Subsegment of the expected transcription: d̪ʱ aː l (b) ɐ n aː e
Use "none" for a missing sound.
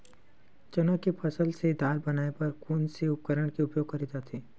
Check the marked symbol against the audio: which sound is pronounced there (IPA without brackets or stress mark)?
b